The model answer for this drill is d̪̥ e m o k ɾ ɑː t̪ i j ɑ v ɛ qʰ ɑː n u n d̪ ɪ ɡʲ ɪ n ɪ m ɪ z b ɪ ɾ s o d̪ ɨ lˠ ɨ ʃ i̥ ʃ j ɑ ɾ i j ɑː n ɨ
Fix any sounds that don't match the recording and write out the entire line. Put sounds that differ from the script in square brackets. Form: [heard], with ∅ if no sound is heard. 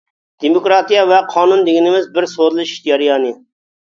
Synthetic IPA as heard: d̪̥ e m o k ɾ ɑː t̪ i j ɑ v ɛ qʰ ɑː n u n d̪ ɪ ɡʲ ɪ n ɪ m ɪ z b ɪ ɾ s o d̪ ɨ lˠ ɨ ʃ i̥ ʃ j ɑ ɾ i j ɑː n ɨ